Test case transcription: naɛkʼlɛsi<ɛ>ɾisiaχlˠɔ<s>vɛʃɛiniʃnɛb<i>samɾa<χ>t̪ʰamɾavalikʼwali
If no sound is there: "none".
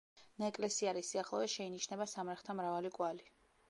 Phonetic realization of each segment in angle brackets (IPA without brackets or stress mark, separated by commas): a, none, a, χ